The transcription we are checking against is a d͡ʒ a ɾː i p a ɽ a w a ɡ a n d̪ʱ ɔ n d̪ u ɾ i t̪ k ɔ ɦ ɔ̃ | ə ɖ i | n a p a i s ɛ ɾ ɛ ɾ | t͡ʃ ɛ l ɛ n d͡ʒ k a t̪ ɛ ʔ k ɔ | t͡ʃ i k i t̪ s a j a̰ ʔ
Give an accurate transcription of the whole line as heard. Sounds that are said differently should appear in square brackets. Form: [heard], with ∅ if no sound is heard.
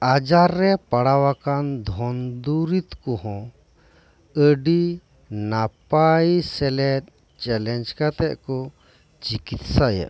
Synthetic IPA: a d͡ʒ a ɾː [ɛ] p a ɽ a w a [k] a n d̪ʱ ɔ n d̪ u ɾ i t̪ k ɔ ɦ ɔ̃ | ə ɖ i | n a p a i s ɛ [l] ɛ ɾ | t͡ʃ ɛ l ɛ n d͡ʒ k a t̪ ɛ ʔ k ɔ | t͡ʃ i k i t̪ s a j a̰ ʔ